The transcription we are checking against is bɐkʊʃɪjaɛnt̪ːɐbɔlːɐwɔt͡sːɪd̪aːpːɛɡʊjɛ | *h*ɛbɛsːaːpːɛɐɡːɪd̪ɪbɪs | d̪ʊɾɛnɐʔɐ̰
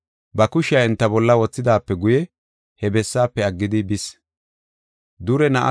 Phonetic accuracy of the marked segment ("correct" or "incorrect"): correct